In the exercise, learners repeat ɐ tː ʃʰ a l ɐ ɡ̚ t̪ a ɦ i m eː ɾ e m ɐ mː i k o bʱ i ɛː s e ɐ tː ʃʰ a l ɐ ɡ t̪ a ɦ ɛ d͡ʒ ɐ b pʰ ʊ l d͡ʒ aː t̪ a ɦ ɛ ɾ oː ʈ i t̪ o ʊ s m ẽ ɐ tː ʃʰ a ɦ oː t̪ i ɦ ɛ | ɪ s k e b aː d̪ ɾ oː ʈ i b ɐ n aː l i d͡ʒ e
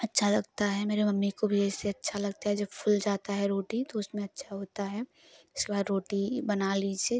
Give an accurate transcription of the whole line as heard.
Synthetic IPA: ɐ tː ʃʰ a l ɐ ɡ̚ t̪ a ɦ ɛ m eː ɾ e m ɐ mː i k o bʱ i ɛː s e ɐ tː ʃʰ a l ɐ ɡ t̪ a ɦ ɛ d͡ʒ ɐ b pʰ ʊ l d͡ʒ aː t̪ a ɦ ɛ ɾ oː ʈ i t̪ o ʊ s m ẽ ɐ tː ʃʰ a ɦ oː t̪ a ɦ ɛ | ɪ s k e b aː d̪ ɾ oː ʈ i b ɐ n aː l i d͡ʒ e